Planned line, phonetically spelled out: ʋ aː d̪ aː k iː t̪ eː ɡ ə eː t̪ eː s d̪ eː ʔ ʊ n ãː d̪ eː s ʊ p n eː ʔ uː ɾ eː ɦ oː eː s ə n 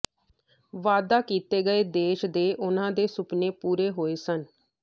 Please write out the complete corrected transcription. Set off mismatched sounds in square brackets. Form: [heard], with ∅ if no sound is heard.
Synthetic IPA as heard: ʋ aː d̪ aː k iː t̪ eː ɡ ə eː [d̪] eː [ʃ] d̪ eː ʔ ʊ n ãː d̪ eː s ʊ p n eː [p] uː ɾ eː ɦ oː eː s ə n